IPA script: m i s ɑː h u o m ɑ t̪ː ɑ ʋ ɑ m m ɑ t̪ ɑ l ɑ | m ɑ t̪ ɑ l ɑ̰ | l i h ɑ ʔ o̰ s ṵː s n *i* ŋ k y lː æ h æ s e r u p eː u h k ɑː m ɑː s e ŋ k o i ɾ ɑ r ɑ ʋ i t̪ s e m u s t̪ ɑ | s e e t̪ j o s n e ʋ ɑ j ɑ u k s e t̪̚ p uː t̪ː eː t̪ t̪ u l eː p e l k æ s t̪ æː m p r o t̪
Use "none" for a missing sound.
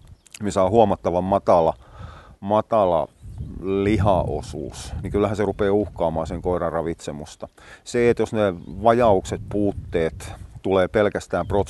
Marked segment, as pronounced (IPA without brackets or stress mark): i